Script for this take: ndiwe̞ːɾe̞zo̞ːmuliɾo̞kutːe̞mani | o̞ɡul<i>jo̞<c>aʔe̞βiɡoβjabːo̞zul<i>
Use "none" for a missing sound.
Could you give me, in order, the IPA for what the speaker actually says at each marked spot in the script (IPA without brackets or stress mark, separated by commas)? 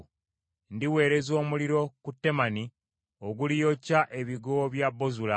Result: i, c, a